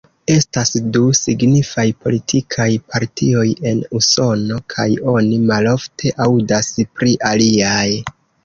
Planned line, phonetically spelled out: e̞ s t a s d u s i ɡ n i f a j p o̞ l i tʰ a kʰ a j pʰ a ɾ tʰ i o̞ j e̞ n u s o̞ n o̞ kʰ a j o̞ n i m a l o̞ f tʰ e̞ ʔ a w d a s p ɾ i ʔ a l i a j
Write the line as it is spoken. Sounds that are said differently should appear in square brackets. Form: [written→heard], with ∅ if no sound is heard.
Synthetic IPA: e̞ s t a s d u s i ɡ n i f a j p o̞ l i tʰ [a→i] kʰ a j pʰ a ɾ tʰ i o̞ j e̞ n u s o̞ n o̞ kʰ a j o̞ n i m a l o̞ f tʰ e̞ ʔ a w d a s p ɾ i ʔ a l i a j